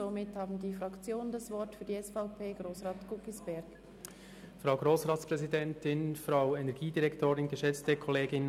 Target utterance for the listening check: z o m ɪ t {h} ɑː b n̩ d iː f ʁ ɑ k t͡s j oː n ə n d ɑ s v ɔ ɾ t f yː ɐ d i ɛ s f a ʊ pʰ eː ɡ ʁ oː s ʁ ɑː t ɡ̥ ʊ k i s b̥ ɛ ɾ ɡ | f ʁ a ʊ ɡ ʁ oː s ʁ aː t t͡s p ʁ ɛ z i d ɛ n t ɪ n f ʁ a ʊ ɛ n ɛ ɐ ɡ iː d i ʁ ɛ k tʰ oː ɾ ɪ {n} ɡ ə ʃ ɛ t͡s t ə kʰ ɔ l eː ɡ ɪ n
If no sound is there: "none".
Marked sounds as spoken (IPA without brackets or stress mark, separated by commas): h, n